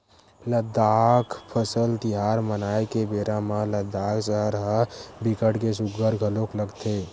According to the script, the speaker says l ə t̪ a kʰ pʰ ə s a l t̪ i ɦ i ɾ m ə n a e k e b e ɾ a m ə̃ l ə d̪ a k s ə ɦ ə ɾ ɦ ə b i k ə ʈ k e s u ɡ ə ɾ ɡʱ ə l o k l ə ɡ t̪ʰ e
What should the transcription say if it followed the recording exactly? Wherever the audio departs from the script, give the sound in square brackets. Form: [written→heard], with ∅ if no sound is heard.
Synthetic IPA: l ə [t̪→d̪] a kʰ pʰ ə s [a→ə] l t̪ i ɦ [i→a] ɾ m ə n a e k e b e ɾ a m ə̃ l ə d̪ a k s ə ɦ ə ɾ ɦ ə b i k ə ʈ k e s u ɡ ə ɾ ɡʱ ə l o k l ə ɡ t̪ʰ e